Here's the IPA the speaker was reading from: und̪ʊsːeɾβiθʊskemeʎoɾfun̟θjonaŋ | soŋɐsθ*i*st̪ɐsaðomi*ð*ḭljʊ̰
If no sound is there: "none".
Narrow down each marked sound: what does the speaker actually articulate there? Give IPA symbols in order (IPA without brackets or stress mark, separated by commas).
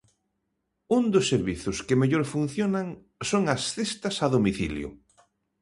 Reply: e, θ